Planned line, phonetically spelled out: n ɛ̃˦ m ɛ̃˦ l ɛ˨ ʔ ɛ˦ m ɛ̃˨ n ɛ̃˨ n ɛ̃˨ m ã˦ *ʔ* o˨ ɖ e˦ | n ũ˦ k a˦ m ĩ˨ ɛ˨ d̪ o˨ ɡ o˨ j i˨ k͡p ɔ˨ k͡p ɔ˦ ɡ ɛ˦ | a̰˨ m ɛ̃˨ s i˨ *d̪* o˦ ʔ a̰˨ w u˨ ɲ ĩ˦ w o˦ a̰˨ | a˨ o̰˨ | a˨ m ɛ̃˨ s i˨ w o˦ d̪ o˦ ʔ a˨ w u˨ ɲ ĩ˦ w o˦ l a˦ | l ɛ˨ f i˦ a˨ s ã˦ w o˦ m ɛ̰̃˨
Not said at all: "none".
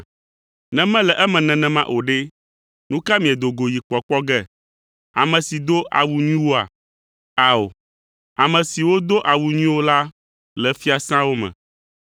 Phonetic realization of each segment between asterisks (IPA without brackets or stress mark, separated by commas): ʔ, d̪